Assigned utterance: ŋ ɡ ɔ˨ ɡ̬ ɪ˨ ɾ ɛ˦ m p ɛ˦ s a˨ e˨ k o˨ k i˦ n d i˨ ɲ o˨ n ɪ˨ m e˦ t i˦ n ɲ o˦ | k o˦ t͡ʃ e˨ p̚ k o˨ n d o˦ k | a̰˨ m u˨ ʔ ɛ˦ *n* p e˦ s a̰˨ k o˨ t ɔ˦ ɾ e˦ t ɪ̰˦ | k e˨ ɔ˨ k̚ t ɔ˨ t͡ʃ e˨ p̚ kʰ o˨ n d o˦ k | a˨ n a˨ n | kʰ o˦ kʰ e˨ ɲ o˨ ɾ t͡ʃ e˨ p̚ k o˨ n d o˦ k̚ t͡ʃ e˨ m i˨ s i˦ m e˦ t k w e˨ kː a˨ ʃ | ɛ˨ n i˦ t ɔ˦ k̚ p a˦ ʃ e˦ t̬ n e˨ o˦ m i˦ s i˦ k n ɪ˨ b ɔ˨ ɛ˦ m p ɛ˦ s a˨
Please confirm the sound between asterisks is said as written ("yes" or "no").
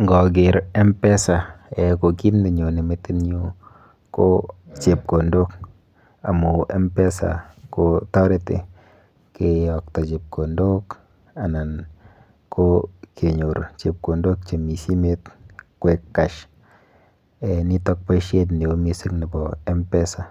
no